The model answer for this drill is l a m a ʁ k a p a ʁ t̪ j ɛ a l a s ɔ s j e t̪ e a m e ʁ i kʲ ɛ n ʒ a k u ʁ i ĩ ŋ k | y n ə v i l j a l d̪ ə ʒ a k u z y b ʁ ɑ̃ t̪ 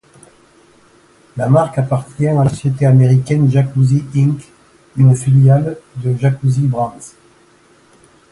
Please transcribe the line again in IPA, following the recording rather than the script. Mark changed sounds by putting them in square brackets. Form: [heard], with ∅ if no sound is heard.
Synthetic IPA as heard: l a m a ʁ k a p a ʁ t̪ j [ɛ̃] a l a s ɔ s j e t̪ e a m e ʁ i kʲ ɛ n ʒ a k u [z] i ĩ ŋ k | y n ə [f] i l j a l d̪ ə ʒ a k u z [i] b ʁ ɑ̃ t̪